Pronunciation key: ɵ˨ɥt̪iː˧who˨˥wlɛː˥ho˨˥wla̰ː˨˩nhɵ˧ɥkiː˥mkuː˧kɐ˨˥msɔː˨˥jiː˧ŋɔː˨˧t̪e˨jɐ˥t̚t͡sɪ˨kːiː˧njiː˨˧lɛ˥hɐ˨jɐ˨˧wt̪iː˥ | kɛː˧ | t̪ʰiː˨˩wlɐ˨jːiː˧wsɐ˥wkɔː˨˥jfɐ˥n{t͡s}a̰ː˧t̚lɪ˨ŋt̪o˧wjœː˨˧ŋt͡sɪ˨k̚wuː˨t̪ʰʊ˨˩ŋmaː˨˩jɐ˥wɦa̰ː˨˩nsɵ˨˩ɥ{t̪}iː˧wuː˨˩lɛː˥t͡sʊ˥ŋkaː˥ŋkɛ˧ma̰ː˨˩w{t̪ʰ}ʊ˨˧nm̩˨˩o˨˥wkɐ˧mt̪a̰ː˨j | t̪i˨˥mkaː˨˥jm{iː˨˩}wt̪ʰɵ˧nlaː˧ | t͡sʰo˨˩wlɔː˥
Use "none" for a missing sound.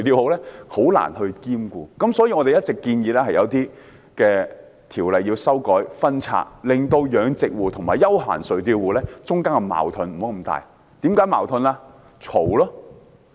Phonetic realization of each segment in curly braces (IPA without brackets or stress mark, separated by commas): t͡sʰ, t̪, t̪ʰ, aː˨˩